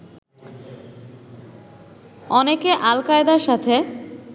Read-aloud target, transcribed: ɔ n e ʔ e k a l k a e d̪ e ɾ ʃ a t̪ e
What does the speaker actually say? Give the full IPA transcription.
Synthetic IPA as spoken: ɔ n e k e ʔ a l k a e d̪ a ɾ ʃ a t̪ʰ e